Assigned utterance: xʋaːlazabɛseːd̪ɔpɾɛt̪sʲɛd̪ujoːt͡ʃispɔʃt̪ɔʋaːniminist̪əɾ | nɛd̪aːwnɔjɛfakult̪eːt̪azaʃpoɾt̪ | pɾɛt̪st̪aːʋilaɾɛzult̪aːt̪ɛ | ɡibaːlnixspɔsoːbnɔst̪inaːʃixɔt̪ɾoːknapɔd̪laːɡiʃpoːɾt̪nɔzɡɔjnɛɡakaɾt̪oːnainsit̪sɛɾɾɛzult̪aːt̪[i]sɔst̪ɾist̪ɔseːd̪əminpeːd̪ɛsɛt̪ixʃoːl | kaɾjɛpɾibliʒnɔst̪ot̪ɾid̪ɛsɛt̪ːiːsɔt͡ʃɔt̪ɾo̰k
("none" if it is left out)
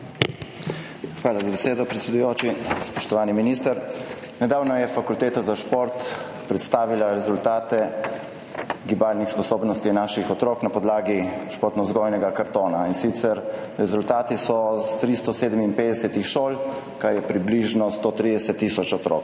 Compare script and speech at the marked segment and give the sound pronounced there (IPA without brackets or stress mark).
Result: i